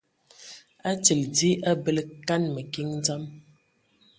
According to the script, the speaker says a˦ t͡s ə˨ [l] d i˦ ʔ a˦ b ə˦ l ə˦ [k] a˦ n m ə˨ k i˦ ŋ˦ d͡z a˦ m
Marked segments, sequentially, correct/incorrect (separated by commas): correct, correct